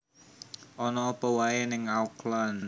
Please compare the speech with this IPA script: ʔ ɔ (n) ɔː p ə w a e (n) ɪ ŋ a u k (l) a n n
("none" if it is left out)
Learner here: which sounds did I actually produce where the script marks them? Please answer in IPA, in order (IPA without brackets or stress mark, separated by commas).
n, n, l